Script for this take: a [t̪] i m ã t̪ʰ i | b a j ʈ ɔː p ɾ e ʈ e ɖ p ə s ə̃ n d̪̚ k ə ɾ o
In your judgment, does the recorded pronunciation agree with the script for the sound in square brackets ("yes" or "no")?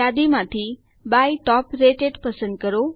no